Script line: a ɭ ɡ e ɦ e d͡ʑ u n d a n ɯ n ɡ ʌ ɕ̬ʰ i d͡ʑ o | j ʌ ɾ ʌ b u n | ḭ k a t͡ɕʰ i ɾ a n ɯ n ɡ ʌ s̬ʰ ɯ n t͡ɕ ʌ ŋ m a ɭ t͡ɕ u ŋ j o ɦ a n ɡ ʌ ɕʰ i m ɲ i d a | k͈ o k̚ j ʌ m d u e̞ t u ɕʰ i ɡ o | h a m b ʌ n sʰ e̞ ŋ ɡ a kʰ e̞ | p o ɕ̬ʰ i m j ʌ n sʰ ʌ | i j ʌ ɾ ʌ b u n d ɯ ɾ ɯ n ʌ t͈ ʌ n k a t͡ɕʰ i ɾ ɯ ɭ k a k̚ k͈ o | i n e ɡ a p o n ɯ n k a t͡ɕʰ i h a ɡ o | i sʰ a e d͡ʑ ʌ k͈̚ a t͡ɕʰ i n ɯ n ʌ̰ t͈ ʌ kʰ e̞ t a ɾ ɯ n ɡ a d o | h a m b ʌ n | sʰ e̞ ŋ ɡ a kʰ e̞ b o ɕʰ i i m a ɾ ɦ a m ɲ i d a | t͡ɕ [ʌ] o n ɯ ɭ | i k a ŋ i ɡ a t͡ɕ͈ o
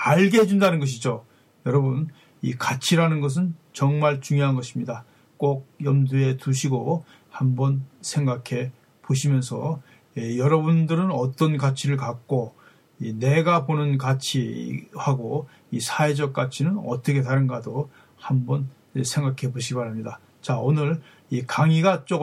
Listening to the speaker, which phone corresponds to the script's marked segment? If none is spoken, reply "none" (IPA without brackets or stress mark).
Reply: a